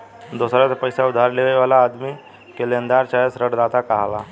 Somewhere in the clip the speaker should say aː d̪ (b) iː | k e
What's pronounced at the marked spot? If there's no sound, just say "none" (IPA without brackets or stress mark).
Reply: m